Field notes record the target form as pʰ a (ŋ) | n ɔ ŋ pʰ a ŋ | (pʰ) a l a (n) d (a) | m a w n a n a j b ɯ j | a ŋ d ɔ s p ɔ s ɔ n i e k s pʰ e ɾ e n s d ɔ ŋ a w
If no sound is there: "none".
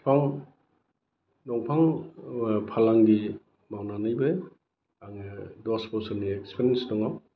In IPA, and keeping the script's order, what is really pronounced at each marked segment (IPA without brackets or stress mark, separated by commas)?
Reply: ŋ, pʰ, ŋ, i